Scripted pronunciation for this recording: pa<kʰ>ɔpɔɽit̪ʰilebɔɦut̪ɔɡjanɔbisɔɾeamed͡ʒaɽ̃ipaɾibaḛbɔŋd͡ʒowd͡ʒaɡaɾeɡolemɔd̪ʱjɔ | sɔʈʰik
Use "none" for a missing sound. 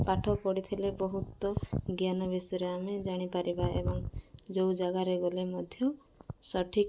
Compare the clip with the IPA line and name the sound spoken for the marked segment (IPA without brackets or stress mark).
ʈʰ